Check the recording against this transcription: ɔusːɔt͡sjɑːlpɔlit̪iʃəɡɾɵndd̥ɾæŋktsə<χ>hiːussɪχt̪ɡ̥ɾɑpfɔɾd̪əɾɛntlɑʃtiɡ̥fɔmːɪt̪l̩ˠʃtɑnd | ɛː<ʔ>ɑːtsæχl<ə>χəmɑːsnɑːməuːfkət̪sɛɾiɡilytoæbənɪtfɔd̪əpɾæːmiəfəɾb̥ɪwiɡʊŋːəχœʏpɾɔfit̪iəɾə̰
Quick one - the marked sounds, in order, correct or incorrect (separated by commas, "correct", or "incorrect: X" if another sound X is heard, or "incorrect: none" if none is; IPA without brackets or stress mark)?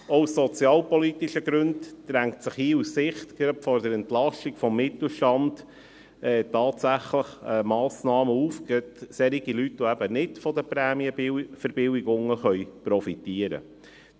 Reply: correct, incorrect: t, correct